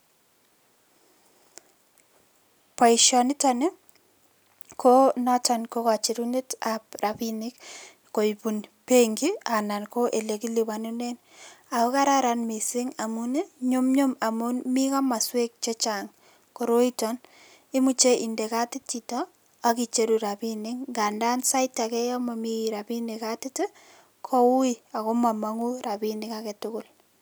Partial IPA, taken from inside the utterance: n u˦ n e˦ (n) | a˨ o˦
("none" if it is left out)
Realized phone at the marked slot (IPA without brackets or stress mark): n